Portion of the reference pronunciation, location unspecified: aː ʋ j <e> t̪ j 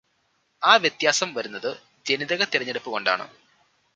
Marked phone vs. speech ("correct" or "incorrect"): correct